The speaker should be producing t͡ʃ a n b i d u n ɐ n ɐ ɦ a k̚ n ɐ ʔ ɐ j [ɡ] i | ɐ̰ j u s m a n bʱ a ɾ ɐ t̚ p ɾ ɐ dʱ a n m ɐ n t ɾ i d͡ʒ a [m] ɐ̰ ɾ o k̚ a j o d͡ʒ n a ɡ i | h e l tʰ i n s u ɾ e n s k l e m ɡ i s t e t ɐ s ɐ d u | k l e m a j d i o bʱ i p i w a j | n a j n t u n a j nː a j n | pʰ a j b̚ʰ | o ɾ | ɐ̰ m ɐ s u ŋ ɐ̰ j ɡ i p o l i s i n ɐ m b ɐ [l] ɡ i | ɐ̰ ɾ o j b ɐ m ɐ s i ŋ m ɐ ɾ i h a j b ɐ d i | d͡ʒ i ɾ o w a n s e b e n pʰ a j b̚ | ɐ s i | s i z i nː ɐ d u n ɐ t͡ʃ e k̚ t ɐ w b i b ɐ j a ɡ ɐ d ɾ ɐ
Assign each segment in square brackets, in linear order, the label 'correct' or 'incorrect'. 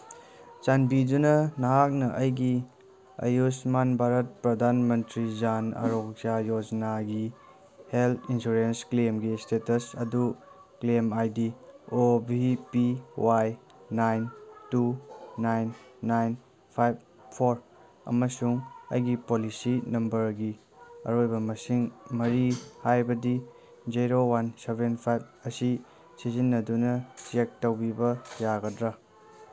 correct, incorrect: n, incorrect: ɾ

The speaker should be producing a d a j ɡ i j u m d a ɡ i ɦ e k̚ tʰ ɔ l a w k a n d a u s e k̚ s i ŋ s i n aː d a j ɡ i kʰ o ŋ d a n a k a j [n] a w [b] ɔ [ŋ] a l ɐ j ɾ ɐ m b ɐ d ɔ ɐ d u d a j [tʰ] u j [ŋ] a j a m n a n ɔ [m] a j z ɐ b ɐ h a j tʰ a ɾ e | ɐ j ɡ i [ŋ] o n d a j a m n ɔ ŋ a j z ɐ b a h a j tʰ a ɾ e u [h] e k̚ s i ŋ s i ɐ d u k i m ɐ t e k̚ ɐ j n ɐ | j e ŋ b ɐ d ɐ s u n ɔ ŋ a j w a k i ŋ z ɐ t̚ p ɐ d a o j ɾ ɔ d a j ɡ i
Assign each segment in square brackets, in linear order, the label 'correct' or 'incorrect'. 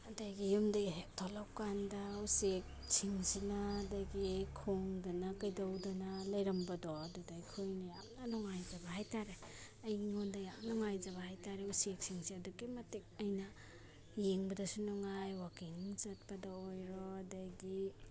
incorrect: d, incorrect: d, incorrect: n, incorrect: kʰ, incorrect: n, incorrect: ŋ, correct, incorrect: s

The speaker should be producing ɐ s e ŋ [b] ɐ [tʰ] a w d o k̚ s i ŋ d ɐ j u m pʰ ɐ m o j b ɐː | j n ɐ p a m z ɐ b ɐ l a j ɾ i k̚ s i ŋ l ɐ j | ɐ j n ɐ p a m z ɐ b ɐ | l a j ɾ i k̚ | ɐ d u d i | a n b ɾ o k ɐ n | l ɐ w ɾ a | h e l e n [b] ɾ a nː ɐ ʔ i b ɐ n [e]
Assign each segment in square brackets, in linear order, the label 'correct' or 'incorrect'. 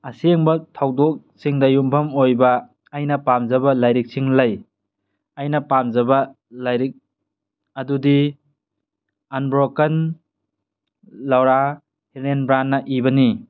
correct, correct, correct, incorrect: i

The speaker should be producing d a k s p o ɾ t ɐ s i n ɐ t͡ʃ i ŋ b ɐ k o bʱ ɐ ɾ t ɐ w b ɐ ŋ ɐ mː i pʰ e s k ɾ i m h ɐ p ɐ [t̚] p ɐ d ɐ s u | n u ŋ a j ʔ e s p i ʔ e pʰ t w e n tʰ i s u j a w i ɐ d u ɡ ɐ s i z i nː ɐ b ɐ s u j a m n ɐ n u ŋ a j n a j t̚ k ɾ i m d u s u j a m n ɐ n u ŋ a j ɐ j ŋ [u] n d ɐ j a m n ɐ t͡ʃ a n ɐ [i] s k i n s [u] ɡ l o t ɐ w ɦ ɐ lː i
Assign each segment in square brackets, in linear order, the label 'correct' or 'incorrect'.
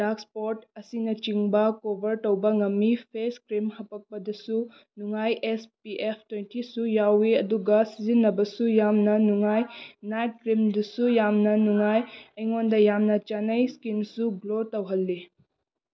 incorrect: k̚, incorrect: o, incorrect: j, correct

